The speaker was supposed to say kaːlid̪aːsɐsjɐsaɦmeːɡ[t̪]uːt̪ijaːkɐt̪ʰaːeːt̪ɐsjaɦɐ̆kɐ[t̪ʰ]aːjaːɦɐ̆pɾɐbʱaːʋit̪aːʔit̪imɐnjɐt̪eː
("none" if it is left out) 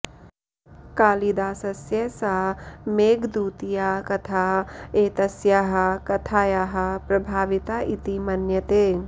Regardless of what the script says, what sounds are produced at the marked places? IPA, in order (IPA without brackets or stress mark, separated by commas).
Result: d̪, t̪ʰ